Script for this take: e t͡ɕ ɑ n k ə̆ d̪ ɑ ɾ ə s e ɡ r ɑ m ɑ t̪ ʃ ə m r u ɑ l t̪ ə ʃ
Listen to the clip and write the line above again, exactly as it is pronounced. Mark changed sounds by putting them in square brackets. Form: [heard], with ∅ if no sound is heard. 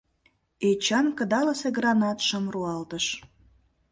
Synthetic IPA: e t͡ɕ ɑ n k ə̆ d̪ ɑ [l] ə s e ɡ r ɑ [n] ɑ t̪ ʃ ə m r u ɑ l t̪ ə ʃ